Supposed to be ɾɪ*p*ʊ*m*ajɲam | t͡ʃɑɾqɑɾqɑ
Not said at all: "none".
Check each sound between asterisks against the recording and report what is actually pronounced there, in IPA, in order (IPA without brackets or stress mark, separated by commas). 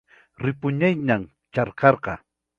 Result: p, ɲ